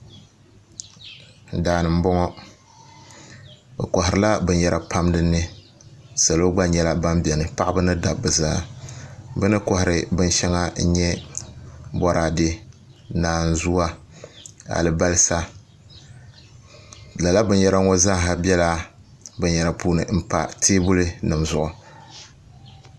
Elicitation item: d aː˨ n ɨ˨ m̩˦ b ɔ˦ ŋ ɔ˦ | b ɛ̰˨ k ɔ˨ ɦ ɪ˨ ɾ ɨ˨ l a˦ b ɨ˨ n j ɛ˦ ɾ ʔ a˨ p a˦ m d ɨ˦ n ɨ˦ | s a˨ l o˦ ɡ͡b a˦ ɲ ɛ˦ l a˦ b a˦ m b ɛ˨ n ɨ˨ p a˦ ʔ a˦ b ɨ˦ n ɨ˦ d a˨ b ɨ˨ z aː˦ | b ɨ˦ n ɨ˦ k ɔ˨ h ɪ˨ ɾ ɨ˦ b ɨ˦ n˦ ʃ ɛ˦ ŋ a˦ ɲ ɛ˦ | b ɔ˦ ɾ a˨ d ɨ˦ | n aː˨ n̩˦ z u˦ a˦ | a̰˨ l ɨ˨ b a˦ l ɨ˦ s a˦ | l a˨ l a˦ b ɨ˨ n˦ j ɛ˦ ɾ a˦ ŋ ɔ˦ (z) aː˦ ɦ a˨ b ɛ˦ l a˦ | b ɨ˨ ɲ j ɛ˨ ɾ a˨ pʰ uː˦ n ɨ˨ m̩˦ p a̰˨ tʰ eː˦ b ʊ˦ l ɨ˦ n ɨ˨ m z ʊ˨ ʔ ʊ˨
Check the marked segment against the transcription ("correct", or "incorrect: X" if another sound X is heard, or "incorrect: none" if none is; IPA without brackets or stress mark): correct